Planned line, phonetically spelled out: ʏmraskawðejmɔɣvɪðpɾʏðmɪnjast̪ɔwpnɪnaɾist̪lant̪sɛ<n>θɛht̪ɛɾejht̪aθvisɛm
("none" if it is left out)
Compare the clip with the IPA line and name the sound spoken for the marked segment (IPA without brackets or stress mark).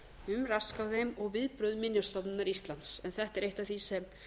n